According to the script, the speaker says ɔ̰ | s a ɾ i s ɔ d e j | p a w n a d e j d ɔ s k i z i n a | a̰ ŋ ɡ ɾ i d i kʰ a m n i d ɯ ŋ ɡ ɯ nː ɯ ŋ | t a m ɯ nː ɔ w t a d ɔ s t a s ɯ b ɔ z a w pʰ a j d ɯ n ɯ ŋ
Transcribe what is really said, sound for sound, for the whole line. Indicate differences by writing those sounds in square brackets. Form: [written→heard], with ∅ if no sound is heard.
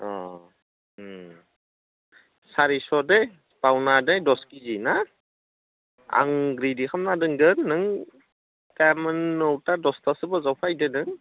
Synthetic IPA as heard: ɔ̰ | s a ɾ i s ɔ d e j | p a w n a d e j d ɔ s k i z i n a | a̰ ŋ ɡ ɾ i d i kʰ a m n [i→a] d ɯ ŋ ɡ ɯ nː ɯ ŋ | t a m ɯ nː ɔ w t a d ɔ s t a s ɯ b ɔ z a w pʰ a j d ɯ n ɯ ŋ